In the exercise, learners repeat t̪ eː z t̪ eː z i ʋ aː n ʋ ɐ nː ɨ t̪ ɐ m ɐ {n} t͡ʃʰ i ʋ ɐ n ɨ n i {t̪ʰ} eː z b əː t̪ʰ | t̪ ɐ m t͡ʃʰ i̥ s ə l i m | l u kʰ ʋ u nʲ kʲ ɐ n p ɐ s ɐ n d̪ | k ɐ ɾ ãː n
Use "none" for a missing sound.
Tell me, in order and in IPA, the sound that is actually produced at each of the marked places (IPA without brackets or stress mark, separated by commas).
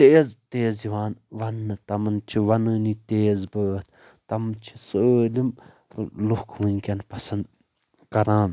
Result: n, t̪